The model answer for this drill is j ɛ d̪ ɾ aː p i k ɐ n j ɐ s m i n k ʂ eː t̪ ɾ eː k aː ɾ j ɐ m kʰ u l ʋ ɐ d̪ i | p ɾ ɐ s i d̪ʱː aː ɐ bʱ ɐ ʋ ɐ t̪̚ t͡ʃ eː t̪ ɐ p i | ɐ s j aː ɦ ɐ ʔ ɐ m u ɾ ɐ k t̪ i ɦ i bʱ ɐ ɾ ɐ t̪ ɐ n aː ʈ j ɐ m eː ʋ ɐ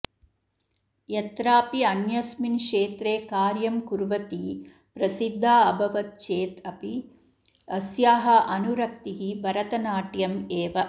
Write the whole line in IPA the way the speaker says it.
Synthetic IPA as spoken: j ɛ t̪ ɾ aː p i ɐ n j ɐ s m i n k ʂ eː t̪ ɾ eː k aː ɾ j ɐ m k u ɾ ʋ ɐ t̪ i | p ɾ ɐ s i d̪ʱː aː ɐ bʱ ɐ ʋ ɐ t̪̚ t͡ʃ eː t̪ ɐ p i | ɐ s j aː ɦ ɐ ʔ ɐ n u ɾ ɐ k t̪ i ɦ i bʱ ɐ ɾ ɐ t̪ ɐ n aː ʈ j ɐ m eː ʋ ɐ